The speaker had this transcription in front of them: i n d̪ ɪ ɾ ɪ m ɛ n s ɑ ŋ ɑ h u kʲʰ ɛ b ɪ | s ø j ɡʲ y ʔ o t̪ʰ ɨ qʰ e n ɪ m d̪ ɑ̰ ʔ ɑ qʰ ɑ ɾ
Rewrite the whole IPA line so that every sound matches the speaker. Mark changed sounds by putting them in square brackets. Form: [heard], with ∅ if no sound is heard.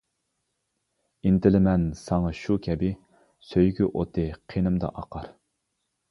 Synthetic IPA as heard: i n [t̪] ɪ [l] ɪ m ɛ n s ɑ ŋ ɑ [ʃ] u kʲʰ ɛ b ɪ | s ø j ɡʲ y ʔ o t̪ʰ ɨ qʰ e n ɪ m d̪ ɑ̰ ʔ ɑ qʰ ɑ ɾ